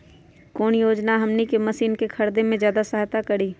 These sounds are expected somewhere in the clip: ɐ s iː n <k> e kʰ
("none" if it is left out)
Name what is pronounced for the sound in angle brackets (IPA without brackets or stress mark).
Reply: k